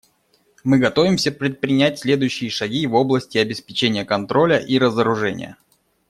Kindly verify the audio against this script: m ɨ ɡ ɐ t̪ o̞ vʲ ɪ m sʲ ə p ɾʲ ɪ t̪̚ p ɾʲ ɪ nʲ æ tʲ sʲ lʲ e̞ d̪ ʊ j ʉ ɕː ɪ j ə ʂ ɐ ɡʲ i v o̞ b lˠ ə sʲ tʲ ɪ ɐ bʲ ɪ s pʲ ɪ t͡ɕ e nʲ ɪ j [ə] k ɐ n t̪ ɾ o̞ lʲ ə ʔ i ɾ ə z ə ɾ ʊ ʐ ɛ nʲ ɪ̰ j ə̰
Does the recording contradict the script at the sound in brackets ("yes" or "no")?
no